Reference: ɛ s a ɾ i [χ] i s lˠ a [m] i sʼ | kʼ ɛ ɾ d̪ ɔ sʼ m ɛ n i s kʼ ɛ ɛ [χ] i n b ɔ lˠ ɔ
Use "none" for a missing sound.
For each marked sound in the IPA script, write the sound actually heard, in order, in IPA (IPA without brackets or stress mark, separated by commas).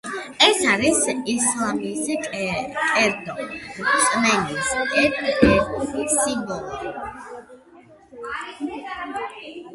s, m, s